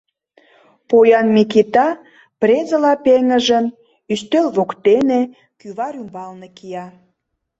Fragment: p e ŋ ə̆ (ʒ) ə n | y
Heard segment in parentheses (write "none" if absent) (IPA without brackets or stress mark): ʒ